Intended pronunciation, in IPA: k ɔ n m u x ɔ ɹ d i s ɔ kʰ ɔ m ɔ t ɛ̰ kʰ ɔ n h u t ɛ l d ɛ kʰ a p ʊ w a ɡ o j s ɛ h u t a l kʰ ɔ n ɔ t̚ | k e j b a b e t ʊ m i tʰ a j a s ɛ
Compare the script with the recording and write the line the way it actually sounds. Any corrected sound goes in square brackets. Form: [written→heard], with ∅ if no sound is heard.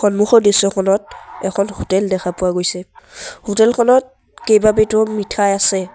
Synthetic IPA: [k→x] ɔ n m u x ɔ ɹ d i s ɔ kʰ ɔ [m→n] ɔ t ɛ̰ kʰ ɔ n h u t ɛ l d ɛ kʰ a p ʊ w a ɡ o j s ɛ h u t [a→ɛ] l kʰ ɔ n ɔ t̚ | k e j b a b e t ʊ m i tʰ a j a s ɛ